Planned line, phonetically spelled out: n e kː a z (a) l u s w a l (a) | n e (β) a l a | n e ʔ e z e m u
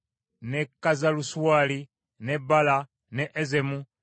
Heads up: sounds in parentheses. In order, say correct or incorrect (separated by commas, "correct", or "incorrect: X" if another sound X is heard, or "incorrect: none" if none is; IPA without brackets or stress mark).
correct, incorrect: i, incorrect: b